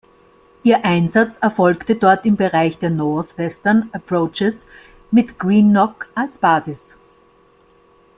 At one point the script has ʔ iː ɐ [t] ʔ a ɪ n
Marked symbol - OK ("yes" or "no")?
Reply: no